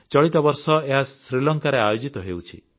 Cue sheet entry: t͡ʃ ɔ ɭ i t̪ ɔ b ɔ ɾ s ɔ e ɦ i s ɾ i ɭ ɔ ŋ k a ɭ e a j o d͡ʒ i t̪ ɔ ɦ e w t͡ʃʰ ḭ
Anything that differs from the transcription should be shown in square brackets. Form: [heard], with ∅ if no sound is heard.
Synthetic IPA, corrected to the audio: t͡ʃ ɔ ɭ i t̪ ɔ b ɔ ɾ s ɔ e ɦ [a] s ɾ i [l] ɔ ŋ k a [ɾ] e a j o d͡ʒ i t̪ ɔ ɦ e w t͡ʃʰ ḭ